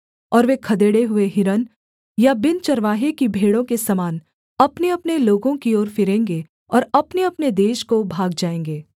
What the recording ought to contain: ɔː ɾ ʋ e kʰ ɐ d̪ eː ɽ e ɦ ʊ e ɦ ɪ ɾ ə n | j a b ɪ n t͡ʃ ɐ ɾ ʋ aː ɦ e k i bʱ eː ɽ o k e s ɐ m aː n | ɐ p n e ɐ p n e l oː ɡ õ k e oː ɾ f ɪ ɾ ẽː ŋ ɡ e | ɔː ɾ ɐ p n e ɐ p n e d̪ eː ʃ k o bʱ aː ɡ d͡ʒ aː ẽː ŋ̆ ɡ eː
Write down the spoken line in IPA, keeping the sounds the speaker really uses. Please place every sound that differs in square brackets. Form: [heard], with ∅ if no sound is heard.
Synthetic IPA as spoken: ɔː ɾ ʋ e kʰ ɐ d̪ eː ɽ e ɦ ʊ e ɦ ɪ ɾ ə n | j a b ɪ n t͡ʃ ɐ ɾ ʋ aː ɦ e k i bʱ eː ɽ [õ] k e s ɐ m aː n | ɐ p n e ɐ p n e l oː ɡ õ k [i] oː ɾ f ɪ ɾ ẽː ŋ ɡ e | ɔː ɾ ɐ p n e ɐ p n e d̪ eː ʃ k o bʱ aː ɡ d͡ʒ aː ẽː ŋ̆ ɡ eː